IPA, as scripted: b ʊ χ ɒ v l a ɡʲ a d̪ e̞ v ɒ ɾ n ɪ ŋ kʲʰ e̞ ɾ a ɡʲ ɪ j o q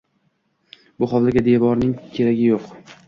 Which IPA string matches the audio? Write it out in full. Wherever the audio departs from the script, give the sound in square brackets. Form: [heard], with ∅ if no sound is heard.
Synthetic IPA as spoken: b ʊ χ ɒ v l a ɡʲ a d̪ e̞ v ɒ ɾ n ɪ ŋ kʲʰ e̞ ɾ a ɡʲ ɪ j o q